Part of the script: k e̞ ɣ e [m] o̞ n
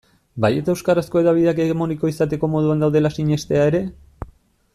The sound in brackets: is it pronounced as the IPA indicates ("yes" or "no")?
yes